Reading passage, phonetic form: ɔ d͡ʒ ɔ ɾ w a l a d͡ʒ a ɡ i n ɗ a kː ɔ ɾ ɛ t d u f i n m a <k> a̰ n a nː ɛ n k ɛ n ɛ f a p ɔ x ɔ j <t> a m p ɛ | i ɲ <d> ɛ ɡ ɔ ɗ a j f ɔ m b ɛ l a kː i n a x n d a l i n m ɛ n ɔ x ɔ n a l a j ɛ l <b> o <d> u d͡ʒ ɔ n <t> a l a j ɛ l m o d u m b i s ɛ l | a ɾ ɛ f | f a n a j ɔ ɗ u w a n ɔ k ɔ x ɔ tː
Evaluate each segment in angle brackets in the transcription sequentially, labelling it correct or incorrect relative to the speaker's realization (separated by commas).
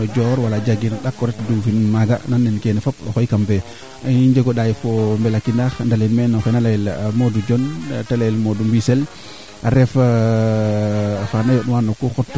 incorrect, incorrect, incorrect, incorrect, correct, correct